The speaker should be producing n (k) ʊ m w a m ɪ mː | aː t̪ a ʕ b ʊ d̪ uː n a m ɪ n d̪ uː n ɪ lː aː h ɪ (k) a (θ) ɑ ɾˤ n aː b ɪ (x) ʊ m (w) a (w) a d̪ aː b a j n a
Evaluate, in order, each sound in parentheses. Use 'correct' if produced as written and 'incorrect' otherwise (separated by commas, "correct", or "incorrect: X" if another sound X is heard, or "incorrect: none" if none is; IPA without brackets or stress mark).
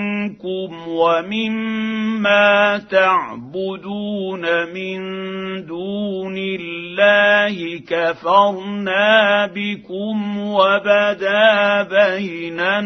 correct, correct, incorrect: f, incorrect: k, correct, incorrect: b